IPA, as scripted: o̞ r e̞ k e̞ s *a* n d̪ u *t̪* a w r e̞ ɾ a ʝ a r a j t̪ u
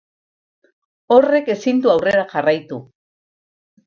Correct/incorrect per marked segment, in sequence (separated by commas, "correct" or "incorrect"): incorrect, incorrect